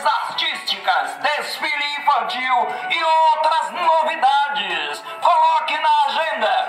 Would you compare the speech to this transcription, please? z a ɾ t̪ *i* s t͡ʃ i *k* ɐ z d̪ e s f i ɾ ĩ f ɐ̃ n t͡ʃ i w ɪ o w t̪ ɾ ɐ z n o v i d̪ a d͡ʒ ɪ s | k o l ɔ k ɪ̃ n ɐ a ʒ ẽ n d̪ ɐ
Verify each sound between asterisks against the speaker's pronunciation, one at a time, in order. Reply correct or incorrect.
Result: correct, correct

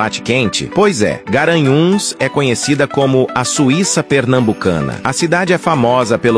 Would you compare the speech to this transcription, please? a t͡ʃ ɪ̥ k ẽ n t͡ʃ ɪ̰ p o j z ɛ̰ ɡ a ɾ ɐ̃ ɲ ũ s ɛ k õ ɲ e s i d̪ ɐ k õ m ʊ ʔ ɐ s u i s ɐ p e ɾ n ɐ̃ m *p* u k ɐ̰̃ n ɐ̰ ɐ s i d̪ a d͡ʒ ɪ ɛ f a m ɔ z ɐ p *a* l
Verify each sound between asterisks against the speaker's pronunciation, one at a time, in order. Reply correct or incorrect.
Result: incorrect: b, incorrect: e

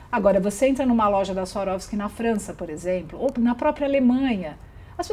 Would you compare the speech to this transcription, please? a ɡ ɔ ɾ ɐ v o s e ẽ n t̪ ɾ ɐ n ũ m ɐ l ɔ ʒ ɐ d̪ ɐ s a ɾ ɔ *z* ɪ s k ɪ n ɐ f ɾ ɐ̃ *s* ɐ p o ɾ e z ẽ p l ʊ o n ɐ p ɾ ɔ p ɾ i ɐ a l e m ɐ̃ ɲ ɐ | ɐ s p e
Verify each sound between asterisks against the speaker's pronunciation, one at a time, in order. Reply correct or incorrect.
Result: incorrect: v, correct

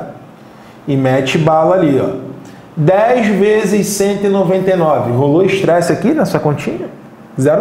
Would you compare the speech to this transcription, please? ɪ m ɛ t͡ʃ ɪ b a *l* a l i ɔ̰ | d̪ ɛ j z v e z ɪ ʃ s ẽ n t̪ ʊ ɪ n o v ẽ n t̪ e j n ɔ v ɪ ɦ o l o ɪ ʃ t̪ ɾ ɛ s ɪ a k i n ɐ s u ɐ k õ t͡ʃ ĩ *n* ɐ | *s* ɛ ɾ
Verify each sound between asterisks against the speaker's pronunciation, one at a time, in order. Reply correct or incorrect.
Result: correct, incorrect: ɲ, incorrect: z

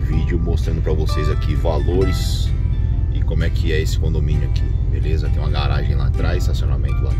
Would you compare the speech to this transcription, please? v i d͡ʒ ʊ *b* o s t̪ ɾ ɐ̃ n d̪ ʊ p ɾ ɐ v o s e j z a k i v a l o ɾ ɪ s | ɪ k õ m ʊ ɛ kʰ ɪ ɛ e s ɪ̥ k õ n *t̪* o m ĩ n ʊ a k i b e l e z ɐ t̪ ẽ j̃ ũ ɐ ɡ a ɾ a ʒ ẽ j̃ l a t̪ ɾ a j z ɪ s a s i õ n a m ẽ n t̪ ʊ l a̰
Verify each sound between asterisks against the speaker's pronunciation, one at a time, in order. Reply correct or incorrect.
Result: incorrect: m, incorrect: d̪

